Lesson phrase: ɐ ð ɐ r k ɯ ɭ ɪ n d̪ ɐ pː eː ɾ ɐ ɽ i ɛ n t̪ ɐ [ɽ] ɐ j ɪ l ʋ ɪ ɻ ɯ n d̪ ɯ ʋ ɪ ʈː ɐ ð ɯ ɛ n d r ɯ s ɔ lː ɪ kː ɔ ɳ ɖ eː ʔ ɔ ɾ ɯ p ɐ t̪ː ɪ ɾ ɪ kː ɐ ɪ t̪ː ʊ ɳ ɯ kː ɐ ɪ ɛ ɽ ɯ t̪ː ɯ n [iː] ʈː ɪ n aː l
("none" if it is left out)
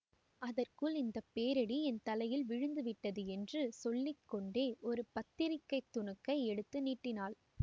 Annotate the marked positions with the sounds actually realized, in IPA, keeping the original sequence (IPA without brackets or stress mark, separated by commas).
l, iː